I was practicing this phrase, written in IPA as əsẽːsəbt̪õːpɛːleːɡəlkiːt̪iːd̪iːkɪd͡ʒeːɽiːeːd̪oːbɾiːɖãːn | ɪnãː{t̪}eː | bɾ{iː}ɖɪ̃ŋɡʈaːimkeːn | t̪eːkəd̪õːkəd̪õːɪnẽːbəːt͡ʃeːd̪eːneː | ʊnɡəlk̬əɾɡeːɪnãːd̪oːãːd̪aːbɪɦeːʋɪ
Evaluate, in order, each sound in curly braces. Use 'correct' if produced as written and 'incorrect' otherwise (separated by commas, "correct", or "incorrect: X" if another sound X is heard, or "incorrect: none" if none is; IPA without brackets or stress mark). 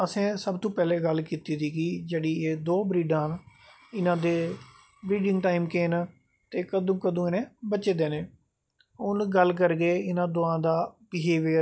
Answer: incorrect: d̪, correct